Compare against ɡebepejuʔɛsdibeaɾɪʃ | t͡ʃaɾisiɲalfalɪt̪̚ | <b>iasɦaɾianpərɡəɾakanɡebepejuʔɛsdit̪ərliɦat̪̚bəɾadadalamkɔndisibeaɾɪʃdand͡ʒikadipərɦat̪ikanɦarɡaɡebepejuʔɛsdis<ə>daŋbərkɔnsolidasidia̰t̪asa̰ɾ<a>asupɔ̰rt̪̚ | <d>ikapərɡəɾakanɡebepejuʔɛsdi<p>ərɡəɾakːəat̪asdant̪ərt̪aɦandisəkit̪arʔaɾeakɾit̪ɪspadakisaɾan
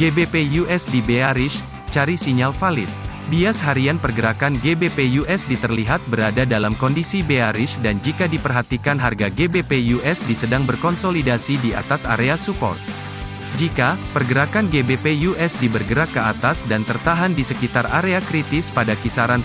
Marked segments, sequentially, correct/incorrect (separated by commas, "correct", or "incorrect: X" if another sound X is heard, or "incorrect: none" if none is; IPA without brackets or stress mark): correct, correct, incorrect: e, incorrect: d͡ʒ, incorrect: b